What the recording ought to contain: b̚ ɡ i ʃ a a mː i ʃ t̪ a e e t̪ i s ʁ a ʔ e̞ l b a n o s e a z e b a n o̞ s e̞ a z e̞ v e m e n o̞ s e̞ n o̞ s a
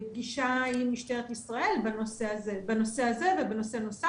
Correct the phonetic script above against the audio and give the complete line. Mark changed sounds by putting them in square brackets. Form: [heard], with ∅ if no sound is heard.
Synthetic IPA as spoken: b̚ ɡ i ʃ a [i] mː i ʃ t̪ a e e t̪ i s ʁ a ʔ e̞ l b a n o s e a z e b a n o̞ s e̞ a z e̞ v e [b] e n o̞ s e̞ n o̞ s a